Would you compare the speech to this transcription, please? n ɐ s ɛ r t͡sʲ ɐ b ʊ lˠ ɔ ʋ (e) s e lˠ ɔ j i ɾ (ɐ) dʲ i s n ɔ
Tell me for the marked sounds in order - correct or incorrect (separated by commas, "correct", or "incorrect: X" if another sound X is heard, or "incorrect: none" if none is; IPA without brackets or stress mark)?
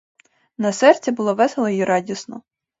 incorrect: ɛ, incorrect: ɑ